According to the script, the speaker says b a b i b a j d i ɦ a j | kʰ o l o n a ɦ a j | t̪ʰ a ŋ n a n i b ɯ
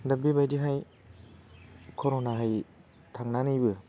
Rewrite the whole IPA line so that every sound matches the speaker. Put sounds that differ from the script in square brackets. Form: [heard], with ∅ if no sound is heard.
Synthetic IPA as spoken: [d] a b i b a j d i ɦ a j | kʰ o [ɾ] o n a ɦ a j | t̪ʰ a ŋ n a n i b ɯ

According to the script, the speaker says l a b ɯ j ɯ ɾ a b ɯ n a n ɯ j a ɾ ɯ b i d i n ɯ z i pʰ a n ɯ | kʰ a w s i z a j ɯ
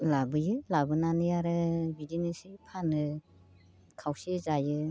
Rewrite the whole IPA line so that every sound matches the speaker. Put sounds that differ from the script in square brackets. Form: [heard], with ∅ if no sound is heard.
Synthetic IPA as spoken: l a b ɯ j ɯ [l] a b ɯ n a n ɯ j a ɾ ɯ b i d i n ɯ [s] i pʰ a n ɯ | kʰ a w s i z a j ɯ

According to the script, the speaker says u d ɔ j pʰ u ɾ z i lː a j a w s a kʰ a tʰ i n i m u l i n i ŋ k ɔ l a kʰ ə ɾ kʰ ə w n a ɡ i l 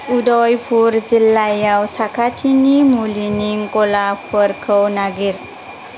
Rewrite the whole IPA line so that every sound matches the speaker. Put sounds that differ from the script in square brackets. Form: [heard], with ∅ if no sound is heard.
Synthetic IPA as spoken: u d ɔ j pʰ u ɾ z i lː a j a w s a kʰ a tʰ i n i m u l i n i ŋ k ɔ l a [pʰ] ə ɾ kʰ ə w n a ɡ i [ɾ]

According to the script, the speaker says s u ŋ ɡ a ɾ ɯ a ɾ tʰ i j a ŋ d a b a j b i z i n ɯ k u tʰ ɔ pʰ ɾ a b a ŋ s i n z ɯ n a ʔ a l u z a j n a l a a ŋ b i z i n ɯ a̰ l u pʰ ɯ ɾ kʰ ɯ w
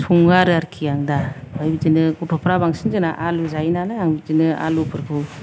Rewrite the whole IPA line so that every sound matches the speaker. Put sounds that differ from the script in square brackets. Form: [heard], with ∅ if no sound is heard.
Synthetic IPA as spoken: s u ŋ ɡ a ɾ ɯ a ɾ [kʰ] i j a ŋ d a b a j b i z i n ɯ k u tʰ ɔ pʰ ɾ a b a ŋ s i n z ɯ n a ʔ a l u z a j n a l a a ŋ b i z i n ɯ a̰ l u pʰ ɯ ɾ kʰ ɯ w

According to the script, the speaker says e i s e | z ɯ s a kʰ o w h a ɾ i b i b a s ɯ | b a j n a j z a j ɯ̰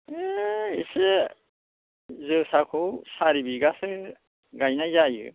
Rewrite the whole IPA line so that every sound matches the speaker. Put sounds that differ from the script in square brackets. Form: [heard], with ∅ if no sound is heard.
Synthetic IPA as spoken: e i s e | z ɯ s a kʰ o w [s] a ɾ i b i [ɡ] a s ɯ | [ɡ] a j n a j z a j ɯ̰

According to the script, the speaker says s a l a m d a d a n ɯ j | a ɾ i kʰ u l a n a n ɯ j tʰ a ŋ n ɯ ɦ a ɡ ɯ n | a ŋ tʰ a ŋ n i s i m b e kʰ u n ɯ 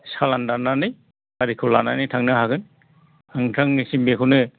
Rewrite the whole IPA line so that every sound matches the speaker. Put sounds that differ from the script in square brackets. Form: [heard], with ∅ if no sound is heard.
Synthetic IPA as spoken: s a l a [n] d a [n] a n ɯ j | a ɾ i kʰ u l a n a n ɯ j tʰ a ŋ n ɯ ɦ a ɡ ɯ n | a ŋ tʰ a ŋ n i s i m b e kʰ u n ɯ

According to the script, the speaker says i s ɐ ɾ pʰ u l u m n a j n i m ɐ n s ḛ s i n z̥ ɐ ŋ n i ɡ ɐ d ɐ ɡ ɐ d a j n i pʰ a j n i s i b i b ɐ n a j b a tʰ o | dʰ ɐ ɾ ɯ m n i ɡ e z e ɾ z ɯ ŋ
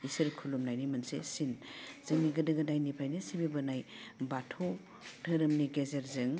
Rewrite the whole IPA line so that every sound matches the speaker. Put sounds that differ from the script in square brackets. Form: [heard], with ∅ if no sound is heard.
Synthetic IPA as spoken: i s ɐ ɾ [kʰ] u l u m n a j n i m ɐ n s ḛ s i n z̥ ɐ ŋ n i ɡ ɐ d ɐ ɡ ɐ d a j n i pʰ a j n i s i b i b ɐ n a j b a tʰ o | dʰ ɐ ɾ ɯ m n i ɡ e z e ɾ z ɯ ŋ

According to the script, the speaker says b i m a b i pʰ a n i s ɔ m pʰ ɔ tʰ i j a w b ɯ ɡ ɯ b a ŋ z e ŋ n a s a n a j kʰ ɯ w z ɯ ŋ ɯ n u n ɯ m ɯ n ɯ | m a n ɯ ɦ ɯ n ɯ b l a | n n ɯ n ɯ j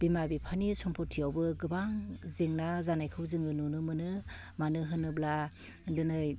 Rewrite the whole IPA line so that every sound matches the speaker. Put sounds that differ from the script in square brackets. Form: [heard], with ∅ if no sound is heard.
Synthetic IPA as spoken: b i m a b i pʰ a n i s ɔ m pʰ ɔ tʰ i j a w b ɯ ɡ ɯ b a ŋ z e ŋ n a [z] a n a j kʰ ɯ w z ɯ ŋ ɯ n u n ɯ m ɯ n ɯ | m a n ɯ ɦ ɯ n ɯ b l a | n [d] ɯ n ɯ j

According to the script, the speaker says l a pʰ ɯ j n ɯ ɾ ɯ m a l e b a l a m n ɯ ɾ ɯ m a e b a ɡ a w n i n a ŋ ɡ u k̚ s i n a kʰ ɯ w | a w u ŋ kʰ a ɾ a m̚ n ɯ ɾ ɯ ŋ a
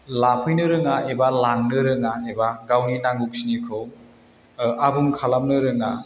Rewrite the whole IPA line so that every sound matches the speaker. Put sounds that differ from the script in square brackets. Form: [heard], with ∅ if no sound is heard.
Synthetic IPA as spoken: l a pʰ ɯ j n ɯ ɾ ɯ [ŋ] a [∅] e b a l a [ŋ] n ɯ ɾ ɯ [ŋ] a e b a ɡ a w n i n a ŋ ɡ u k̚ s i n [i] kʰ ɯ w | a [b] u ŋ kʰ a [l] a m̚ n ɯ ɾ ɯ ŋ a

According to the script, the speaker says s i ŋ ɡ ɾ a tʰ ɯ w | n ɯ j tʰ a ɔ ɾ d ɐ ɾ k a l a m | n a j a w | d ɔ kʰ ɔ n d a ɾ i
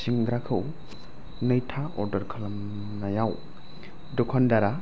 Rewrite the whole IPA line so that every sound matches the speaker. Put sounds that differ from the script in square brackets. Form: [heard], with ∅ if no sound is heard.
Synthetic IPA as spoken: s i ŋ ɡ ɾ a [kʰ] ɯ w | n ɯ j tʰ a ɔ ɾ d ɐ ɾ [kʰ] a l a m | n a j a w | d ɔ kʰ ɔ n d a ɾ [a]

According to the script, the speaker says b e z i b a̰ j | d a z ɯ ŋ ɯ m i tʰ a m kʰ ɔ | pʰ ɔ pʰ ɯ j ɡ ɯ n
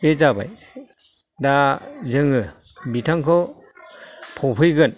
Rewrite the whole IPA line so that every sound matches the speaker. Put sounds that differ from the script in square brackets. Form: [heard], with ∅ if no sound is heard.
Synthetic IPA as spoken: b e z [a] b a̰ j | d a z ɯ ŋ ɯ [b] i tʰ a [ŋ] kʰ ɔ | pʰ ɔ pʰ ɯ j ɡ ɯ n

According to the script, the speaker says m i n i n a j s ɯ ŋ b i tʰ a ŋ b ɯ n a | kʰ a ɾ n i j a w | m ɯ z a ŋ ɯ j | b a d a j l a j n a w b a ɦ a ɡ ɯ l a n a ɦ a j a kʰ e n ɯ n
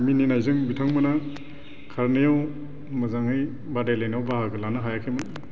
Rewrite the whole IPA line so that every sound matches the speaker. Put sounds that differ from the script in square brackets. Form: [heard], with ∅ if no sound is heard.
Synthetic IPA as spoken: m i n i n a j [z] ɯ ŋ b i tʰ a ŋ [m] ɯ n a | kʰ a ɾ n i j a w | m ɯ z a ŋ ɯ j | b a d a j l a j n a w b a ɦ a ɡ ɯ l a n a ɦ a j a kʰ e [m] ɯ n

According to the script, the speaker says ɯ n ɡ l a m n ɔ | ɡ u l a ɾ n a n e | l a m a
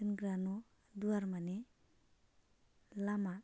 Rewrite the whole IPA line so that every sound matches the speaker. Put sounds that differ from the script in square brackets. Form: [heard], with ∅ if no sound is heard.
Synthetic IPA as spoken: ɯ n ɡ [ɾ] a [∅] n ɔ | [d] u [∅] a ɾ [m] a n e | l a m a

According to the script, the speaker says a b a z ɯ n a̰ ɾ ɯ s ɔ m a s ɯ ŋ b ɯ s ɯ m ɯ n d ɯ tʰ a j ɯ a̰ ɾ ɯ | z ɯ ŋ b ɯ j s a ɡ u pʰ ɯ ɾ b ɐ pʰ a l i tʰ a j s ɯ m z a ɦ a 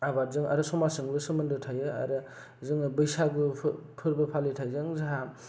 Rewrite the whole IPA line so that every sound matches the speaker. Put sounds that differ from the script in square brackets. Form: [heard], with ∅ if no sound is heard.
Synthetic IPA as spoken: a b a z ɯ [ŋ] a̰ ɾ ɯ s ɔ m a s ɯ ŋ b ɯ s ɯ m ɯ n d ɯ tʰ a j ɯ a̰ ɾ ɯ | z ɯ ŋ b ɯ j s a ɡ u pʰ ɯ ɾ b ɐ pʰ a l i tʰ a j [z] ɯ [ŋ] z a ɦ a

